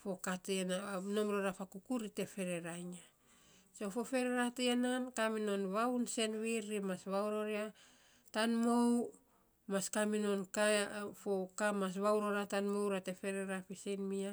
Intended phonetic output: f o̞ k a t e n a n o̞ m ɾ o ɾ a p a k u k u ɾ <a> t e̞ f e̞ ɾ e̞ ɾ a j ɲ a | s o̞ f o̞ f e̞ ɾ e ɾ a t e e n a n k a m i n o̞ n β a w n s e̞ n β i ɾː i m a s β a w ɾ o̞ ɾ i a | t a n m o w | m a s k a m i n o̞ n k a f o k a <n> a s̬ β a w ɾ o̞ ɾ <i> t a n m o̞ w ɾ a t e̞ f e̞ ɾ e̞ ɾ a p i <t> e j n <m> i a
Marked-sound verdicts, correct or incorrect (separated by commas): incorrect, incorrect, incorrect, incorrect, correct